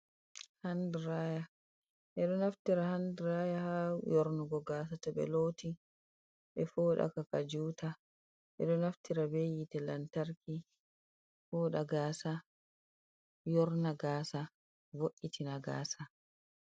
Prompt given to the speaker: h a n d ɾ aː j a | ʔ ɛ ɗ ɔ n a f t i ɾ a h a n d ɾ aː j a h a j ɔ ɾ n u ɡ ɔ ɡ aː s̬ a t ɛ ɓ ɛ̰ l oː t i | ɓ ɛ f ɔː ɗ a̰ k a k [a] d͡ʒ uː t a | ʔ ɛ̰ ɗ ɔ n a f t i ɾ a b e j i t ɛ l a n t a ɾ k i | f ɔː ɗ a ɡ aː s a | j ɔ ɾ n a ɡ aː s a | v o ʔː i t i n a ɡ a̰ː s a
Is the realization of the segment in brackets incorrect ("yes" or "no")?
no